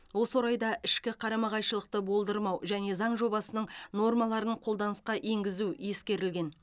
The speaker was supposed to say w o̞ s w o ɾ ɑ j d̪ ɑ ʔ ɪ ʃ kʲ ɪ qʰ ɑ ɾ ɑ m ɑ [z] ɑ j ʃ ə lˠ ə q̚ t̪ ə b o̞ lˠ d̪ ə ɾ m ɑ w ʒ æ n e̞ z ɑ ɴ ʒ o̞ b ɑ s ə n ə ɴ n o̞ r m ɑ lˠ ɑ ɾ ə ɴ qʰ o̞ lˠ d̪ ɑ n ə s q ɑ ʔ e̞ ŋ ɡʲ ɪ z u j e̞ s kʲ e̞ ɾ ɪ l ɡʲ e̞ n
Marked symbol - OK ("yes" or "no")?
no